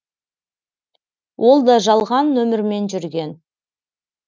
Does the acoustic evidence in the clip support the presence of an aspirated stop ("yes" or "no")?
no